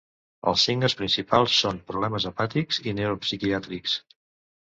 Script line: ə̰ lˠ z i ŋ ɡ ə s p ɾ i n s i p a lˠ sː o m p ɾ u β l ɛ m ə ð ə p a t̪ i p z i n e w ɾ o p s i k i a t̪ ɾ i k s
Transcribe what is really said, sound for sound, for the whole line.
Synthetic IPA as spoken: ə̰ lˠ s i ŋ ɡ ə s p ɾ i n s i p a lˠ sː o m p ɾ u β l ɛ m ə z ə p a t̪ i k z i n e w ɾ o p s i k i a t̪ ɾ i k s